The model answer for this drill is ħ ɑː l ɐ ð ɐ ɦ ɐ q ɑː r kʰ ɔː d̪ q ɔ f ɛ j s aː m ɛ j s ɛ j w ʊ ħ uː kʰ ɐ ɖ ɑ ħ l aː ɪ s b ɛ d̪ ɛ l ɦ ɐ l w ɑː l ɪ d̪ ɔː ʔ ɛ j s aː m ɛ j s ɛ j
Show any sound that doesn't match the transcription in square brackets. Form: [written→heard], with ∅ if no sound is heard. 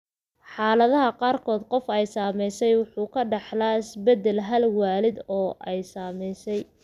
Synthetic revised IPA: ħ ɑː l ɐ ð ɐ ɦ ɐ q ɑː r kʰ ɔː d̪ q ɔ f ɛ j s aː m ɛ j s ɛ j w ʊ ħ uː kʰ ɐ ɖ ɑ ħ l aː ɪ s b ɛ d̪ ɛ l ɦ ɐ l w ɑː l ɪ d̪ ɔː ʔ ɛ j s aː m ɛ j s ɛ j